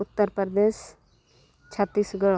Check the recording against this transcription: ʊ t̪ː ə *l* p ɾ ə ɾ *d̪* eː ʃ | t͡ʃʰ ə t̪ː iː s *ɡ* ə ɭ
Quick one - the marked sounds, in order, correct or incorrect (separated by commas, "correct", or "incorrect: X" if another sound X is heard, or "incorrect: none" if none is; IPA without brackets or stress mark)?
incorrect: ɾ, correct, correct